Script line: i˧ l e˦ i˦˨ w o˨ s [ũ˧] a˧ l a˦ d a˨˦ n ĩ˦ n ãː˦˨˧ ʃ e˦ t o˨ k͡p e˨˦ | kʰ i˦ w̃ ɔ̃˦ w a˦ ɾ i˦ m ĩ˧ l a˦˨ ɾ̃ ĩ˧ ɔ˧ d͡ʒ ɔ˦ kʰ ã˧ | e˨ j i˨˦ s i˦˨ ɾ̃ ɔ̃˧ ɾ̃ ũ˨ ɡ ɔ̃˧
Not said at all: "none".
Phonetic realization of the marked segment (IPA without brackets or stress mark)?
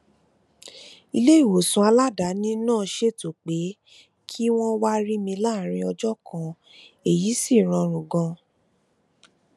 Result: ũ˧